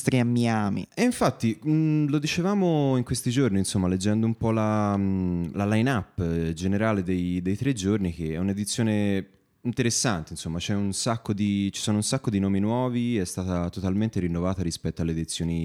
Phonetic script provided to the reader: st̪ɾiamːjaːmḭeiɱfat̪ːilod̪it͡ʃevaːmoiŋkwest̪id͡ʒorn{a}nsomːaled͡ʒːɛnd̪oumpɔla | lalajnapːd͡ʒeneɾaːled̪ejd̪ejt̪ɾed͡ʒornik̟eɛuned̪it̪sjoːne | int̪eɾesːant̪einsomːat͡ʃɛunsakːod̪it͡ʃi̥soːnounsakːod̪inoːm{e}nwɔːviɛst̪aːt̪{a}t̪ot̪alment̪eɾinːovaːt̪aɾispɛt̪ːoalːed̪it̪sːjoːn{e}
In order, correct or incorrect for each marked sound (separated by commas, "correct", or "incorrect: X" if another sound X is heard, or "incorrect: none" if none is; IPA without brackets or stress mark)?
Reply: incorrect: i, incorrect: i, correct, incorrect: i